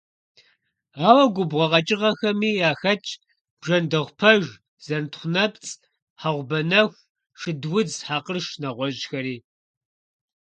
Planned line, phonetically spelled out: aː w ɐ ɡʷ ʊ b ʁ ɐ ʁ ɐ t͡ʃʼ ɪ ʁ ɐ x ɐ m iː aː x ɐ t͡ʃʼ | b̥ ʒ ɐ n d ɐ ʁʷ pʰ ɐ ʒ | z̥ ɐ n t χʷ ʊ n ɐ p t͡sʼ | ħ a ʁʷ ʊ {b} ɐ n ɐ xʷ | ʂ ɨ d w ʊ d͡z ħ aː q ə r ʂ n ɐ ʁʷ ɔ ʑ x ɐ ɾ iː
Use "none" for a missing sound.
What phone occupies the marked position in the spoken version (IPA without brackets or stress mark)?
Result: b